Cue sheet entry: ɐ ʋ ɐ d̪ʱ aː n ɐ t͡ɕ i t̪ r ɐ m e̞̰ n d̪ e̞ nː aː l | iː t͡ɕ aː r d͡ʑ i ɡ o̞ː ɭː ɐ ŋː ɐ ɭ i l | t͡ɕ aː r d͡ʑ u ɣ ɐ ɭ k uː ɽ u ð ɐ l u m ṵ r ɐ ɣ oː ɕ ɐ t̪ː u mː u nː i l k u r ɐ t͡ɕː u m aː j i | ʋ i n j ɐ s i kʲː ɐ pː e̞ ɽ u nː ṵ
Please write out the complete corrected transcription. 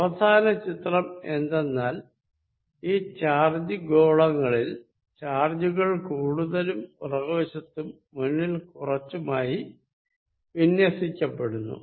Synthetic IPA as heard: ɐ ʋ ɐ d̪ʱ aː n ɐ t͡ɕ i t̪ r ɐ m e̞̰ n d̪ e̞ nː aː l | iː t͡ɕ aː r d͡ʑ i ɡ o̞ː ɭ ɐ ŋː ɐ ɭ i l | t͡ɕ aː r d͡ʑ u ɣ ɐ ɭ k uː ɽ u ð ɐ l u m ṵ r ɐ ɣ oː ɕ ɐ t̪ː u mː u nː i l k u r ɐ t͡ɕː u m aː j i | ʋ i n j ɐ s i kʲː ɐ pː e̞ ɽ u nː ṵ

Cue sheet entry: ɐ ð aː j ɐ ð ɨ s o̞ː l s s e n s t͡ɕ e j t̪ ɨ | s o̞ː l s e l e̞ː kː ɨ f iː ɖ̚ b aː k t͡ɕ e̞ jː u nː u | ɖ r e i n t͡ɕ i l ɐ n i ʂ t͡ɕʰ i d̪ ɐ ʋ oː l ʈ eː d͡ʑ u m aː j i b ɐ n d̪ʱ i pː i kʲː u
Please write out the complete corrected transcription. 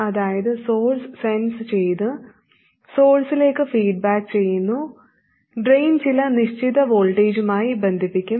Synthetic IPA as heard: ɐ ð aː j ɐ ð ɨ s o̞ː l s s e n s t͡ɕ e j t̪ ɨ | s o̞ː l s i l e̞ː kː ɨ f iː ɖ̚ b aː k t͡ɕ e̞ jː u nː u | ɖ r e j n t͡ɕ i l ɐ n i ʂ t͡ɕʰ i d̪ ɐ ʋ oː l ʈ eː d͡ʑ u m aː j i b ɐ n d̪ʱ i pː i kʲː u

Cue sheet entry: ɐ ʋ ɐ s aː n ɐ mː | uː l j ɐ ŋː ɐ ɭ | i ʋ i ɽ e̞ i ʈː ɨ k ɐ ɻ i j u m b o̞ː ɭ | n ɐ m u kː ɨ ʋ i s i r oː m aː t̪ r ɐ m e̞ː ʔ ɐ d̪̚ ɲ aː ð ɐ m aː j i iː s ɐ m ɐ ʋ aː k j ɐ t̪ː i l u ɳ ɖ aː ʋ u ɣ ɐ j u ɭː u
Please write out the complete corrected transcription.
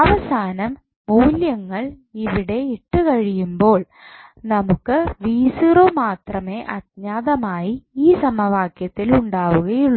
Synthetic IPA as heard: ɐ ʋ ɐ s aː n ɐ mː | uː l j ɐ ŋː ɐ ɭ | i ʋ i ɽ e̞ i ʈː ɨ k ɐ ɻ i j u m b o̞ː ɭ | n ɐ m u kː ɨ ʋ iː s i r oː m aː t̪ r ɐ m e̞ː ʔ ɐ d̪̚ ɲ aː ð ɐ m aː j i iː s ɐ m ɐ ʋ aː k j ɐ t̪ː i l u ɳ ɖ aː ʋ u ɣ ɐ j u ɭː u

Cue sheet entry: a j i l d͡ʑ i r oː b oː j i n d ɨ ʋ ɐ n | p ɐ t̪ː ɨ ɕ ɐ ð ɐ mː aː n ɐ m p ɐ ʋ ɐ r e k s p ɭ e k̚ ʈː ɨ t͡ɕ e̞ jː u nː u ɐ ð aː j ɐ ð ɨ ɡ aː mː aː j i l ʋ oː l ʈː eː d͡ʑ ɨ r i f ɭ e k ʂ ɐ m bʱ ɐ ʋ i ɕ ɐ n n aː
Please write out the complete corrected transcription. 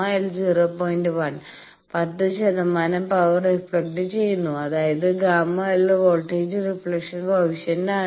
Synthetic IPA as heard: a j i l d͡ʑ i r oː p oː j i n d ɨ ʋ ɐ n | p ɐ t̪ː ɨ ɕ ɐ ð ɐ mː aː n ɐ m p ɐ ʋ ɐ r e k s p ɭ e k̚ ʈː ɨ t͡ɕ e̞ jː u nː u ɐ ð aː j ɐ ð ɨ ɡ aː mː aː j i l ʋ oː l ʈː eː d͡ʑ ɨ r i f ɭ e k ʂ ɐ n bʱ ɐ ʋ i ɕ ɐ n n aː

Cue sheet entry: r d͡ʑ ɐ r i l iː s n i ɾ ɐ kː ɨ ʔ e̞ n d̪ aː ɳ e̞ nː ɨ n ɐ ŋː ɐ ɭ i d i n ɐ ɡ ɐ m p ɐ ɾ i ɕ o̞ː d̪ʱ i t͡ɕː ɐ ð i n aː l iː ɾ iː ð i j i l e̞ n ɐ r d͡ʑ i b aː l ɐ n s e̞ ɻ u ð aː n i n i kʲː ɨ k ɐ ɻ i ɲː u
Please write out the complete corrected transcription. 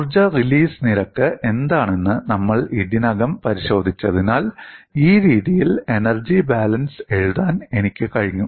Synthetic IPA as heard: r d͡ʑ ɐ r i l iː s n i ɾ ɐ kː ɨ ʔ e̞ n d̪ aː ɳ e̞ nː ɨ n ɐ mː ɐ ɭ i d i n ɐ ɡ ɐ m p ɐ ɾ i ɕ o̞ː d̪ʱ i t͡ɕː ɐ ð i n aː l iː ɾ iː ð i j i l e̞ n ɐ r d͡ʑ i b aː l ɐ n s e̞ ɻ u ð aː n e n i kʲː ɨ k ɐ ɻ i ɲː u

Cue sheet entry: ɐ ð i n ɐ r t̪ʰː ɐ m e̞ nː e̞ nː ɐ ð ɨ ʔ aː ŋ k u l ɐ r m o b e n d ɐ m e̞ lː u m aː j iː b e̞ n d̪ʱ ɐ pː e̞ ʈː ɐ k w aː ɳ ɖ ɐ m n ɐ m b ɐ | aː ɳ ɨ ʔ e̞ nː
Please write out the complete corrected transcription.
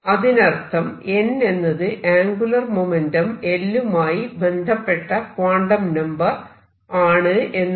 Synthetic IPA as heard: ɐ ð i n ɐ r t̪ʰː ɐ m e̞ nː e̞ nː ɐ ð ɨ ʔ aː ŋ ɡ u l ɐ r m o m e n d ɐ m e̞ lː u m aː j i b e̞ n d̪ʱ ɐ pː e̞ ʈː ɐ k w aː ɳ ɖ ɐ m n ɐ m b ɐ | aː ɳ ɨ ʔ e̞ nː

